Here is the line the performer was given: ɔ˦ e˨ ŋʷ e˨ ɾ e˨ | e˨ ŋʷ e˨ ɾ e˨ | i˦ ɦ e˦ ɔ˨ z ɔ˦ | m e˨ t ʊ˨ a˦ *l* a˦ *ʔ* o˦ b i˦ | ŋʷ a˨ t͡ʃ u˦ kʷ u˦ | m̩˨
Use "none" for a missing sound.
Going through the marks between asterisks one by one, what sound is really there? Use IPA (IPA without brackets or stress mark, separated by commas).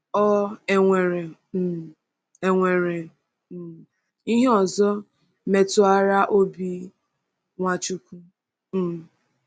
ɾ, ʔ